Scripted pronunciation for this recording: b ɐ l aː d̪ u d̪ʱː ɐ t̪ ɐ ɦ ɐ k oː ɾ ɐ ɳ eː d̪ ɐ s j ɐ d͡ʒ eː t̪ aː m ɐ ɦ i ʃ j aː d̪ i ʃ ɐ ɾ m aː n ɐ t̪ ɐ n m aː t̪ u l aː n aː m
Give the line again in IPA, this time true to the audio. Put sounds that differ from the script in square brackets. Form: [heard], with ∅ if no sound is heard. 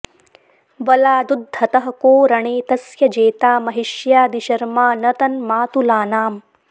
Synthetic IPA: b ɐ l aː d̪ u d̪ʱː ɐ t̪ ɐ ɦ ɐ k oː ɾ ɐ ɳ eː [t̪] ɐ s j ɐ d͡ʒ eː t̪ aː m ɐ ɦ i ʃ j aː d̪ i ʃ ɐ ɾ m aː n ɐ t̪ ɐ n m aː t̪ u l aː n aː m

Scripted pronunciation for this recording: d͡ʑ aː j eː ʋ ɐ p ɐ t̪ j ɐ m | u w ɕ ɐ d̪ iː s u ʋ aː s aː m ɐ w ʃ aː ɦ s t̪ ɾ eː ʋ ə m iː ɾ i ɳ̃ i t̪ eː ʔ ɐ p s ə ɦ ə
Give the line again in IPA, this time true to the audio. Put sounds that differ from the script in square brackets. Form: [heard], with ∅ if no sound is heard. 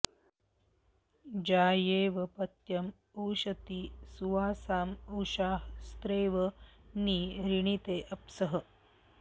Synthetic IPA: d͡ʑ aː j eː ʋ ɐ p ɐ t̪ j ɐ m | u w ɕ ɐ [t̪] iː s u ʋ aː s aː m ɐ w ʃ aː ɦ s t̪ ɾ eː ʋ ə [n] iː ɾ i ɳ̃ i t̪ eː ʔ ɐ p s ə ɦ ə

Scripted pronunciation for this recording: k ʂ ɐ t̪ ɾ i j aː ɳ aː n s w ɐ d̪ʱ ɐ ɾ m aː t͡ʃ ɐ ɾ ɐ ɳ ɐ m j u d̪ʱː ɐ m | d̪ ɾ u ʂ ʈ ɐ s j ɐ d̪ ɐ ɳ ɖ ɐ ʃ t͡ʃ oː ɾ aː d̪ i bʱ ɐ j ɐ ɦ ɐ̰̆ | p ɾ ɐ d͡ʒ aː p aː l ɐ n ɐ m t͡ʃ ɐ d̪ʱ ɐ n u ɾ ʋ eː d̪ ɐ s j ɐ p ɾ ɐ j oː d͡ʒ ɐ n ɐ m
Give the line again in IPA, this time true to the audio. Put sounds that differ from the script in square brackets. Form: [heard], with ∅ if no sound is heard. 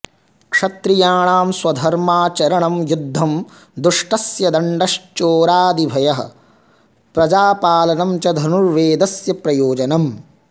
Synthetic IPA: k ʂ ɐ t̪ ɾ i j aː ɳ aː [m] s w ɐ d̪ʱ ɐ ɾ m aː t͡ʃ ɐ ɾ ɐ ɳ ɐ m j u d̪ʱː ɐ m | d̪ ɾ u ʂ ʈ ɐ s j ɐ d̪ ɐ ɳ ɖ ɐ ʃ t͡ʃ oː ɾ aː d̪ i bʱ ɐ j ɐ ɦ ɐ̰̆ | p ɾ ɐ d͡ʒ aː p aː l ɐ n ɐ m t͡ʃ ɐ d̪ʱ ɐ n u ɾ ʋ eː d̪ ɐ s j ɐ p ɾ ɐ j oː d͡ʒ ɐ n ɐ m

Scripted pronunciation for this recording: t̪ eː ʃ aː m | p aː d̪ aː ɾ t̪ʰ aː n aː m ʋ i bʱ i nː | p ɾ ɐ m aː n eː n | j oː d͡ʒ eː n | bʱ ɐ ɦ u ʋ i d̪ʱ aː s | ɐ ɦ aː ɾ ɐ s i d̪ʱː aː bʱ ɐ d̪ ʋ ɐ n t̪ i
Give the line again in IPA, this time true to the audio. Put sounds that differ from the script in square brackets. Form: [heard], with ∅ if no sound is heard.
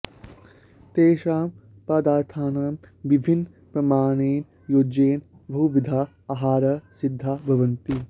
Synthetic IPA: t̪ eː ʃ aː m | p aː d̪ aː ɾ t̪ʰ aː n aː m ʋ i bʱ i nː | p ɾ ɐ m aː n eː n | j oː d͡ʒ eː n | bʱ ɐ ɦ u ʋ i d̪ʱ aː [∅] | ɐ ɦ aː ɾ ɐ s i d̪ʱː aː bʱ ɐ [∅] ʋ ɐ n t̪ i

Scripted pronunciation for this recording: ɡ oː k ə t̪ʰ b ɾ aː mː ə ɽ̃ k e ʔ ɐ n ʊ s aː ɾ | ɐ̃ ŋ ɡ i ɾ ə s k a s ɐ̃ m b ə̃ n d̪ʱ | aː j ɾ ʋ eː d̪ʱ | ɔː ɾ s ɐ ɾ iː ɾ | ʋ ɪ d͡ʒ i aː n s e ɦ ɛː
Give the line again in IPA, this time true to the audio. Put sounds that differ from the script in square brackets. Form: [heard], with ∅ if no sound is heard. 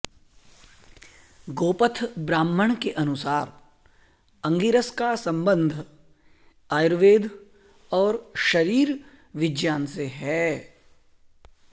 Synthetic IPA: ɡ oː [p] ə t̪ʰ b ɾ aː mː ə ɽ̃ k e ʔ ɐ n ʊ s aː ɾ | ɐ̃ ŋ ɡ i ɾ ə s k a s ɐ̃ m b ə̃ n d̪ʱ | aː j ɾ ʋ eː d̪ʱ | ɔː ɾ [ʃ] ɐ ɾ iː ɾ | ʋ ɪ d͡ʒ [j] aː n s e ɦ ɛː

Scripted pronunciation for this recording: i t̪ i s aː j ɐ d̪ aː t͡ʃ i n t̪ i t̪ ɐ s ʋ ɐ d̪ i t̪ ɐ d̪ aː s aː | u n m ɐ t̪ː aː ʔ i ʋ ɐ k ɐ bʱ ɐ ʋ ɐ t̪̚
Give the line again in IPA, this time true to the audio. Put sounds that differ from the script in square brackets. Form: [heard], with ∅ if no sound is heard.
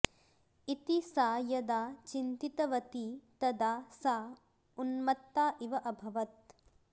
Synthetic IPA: i t̪ i s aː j ɐ d̪ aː t͡ʃ i n t̪ i t̪ ɐ [∅] ʋ ɐ [t̪] i t̪ ɐ d̪ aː s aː | u n m ɐ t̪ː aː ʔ i ʋ ɐ [ʔ] ɐ bʱ ɐ ʋ ɐ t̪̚

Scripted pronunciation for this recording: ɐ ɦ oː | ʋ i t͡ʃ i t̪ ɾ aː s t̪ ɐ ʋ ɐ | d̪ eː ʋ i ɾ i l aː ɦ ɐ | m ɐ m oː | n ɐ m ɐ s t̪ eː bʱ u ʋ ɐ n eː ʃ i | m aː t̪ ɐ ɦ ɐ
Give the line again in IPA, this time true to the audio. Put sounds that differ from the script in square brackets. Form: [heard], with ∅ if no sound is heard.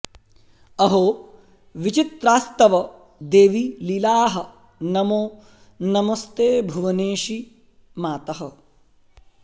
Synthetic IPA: ɐ ɦ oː | ʋ i t͡ʃ i t̪ ɾ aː s t̪ ɐ ʋ ɐ | d̪ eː ʋ i [l] i l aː ɦ ɐ | [n] ɐ m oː | n ɐ m ɐ s t̪ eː bʱ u ʋ ɐ n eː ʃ i | m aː t̪ ɐ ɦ ɐ

